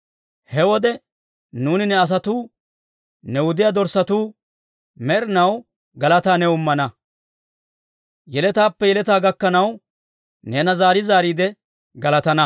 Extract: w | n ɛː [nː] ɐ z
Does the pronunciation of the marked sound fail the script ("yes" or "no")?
yes